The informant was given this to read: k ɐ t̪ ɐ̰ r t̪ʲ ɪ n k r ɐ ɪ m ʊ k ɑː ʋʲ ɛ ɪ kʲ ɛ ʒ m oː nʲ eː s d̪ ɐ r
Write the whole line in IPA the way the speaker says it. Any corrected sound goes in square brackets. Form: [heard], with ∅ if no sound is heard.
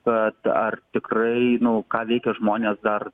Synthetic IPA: k ɐ t̪ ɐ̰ r t̪ʲ ɪ [∅] k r ɐ ɪ [n] ʊ k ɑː ʋʲ ɛ ɪ kʲ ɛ ʒ m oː nʲ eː s d̪ ɐ r